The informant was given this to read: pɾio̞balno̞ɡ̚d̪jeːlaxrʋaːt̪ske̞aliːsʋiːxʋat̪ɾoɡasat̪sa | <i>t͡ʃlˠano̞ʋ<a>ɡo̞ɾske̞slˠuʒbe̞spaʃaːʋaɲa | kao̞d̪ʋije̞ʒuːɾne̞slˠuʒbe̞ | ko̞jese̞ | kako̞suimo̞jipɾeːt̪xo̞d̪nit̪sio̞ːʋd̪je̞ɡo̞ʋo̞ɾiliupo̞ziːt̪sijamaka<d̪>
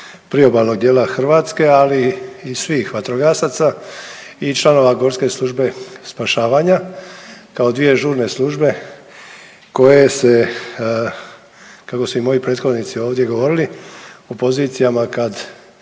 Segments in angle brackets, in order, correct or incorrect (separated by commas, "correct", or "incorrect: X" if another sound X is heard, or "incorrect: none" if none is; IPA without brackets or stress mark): correct, correct, correct